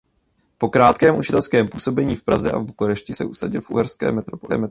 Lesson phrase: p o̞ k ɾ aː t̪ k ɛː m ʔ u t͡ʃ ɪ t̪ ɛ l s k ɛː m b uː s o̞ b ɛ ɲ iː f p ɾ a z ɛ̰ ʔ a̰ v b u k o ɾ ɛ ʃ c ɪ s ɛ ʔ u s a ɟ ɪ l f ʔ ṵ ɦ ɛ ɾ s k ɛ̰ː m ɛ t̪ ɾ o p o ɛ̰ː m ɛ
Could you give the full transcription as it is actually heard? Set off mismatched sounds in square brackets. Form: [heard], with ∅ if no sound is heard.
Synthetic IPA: p o̞ k ɾ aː t̪ k ɛː m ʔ u t͡ʃ ɪ t̪ ɛ l s k ɛː m [p] uː s o̞ b ɛ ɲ iː f p ɾ a z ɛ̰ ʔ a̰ v b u k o ɾ ɛ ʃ c ɪ s ɛ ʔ u s a ɟ ɪ l f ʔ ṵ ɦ ɛ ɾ s k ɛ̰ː m ɛ t̪ ɾ o p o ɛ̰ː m ɛ